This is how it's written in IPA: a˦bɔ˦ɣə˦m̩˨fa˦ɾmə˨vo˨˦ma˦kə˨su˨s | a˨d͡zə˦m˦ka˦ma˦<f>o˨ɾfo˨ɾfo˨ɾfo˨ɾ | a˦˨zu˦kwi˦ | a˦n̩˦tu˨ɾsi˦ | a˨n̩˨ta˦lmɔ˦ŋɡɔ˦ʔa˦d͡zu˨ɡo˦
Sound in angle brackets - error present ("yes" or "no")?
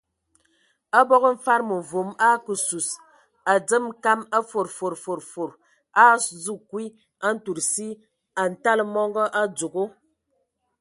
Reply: no